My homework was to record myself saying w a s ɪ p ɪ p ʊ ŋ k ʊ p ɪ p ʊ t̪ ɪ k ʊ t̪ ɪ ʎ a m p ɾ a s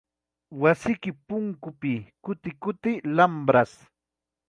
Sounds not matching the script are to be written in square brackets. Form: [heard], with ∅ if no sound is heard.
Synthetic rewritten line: w a s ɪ [k] ɪ p ʊ ŋ k ʊ p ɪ [k] ʊ t̪ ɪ k ʊ t̪ ɪ [l] a m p ɾ a s